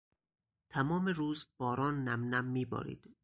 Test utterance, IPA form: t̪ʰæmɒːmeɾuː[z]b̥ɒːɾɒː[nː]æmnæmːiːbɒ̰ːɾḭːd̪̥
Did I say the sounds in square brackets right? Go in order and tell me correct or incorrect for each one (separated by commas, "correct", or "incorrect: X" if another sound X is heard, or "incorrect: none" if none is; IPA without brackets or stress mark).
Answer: correct, correct